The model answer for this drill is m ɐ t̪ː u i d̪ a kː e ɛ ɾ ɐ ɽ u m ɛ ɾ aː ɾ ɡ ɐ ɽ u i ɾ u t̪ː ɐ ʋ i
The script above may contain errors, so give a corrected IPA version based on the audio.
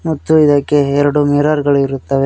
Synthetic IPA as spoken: m ɐ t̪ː u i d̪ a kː e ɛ ɾ ɐ ɽ u m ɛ ɾ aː ɾ ɡ ɐ ɭ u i ɾ u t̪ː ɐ ʋ e